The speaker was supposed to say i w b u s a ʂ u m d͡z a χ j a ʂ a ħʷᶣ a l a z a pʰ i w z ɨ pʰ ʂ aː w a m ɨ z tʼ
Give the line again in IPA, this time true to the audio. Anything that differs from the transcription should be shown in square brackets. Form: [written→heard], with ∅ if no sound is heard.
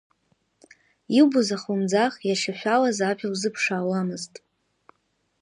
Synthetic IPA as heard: i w b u [s→z] a [ʂ→χ] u m d͡z a χ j a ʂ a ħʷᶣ a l a z a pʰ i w z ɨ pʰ ʂ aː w a m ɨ z tʼ